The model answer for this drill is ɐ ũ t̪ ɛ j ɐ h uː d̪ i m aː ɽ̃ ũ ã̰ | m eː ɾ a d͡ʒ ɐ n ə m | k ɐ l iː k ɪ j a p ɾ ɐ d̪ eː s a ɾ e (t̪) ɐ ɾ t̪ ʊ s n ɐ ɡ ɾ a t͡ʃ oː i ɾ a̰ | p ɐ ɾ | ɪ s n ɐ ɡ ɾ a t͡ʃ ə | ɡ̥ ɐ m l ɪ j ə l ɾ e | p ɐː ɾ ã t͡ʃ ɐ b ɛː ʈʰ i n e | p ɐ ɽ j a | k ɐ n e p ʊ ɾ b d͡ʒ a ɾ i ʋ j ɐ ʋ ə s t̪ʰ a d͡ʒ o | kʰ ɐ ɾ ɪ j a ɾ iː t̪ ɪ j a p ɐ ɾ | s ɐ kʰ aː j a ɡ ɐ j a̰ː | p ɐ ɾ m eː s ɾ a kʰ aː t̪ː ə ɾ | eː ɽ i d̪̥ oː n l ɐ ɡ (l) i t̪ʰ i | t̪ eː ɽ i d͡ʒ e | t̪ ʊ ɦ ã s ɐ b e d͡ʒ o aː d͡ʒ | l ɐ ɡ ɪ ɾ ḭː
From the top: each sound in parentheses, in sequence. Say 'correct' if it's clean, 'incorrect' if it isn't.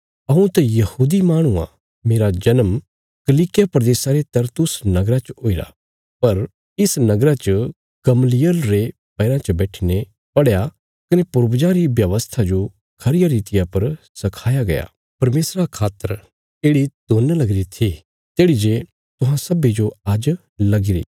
correct, incorrect

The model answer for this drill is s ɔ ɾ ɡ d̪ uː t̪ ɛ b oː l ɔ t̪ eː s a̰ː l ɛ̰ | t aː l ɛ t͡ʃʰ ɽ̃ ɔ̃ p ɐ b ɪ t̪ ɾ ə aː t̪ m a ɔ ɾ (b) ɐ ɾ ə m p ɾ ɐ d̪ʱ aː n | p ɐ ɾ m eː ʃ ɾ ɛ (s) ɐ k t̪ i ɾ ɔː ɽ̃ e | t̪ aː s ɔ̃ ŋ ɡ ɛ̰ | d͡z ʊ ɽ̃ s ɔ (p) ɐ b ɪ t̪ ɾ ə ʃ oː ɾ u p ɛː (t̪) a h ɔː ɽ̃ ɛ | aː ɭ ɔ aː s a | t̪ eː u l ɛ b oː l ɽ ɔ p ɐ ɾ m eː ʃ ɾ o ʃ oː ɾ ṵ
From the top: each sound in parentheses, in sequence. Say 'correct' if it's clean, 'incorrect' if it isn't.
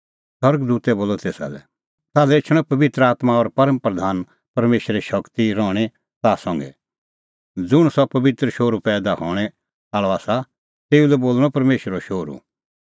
incorrect, incorrect, correct, incorrect

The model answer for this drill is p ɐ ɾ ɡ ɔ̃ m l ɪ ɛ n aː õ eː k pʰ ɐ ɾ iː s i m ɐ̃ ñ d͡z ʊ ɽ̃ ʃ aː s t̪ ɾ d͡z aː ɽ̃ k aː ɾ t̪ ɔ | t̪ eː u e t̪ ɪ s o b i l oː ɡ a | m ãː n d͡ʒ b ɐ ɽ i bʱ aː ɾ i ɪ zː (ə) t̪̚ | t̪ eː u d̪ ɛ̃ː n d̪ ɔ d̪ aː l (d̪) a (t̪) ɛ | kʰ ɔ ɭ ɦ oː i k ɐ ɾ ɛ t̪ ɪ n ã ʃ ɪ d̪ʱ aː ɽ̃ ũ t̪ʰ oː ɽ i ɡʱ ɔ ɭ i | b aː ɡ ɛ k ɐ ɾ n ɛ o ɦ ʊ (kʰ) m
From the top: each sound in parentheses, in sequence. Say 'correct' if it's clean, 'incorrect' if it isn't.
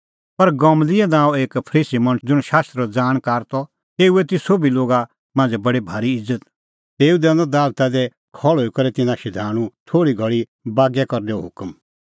correct, incorrect, incorrect, incorrect

